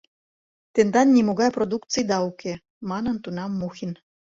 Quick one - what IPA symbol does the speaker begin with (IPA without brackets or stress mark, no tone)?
t̪